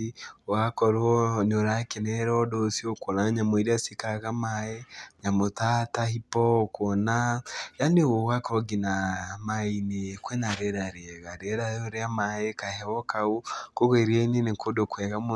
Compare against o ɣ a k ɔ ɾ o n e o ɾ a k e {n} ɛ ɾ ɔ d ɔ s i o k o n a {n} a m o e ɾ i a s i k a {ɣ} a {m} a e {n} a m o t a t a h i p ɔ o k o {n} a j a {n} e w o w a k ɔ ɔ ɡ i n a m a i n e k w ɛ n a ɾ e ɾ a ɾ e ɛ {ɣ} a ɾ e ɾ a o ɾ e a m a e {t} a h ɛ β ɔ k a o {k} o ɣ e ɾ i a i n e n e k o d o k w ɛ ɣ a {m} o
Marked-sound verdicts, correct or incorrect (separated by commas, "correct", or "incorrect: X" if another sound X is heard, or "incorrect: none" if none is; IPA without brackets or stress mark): correct, incorrect: ɲ, correct, correct, incorrect: ɲ, correct, correct, correct, incorrect: k, correct, correct